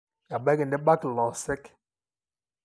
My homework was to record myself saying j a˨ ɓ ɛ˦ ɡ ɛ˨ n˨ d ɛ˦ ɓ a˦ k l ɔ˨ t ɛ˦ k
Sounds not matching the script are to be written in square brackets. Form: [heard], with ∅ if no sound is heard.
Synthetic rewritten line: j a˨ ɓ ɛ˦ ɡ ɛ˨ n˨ d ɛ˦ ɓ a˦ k l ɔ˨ [s] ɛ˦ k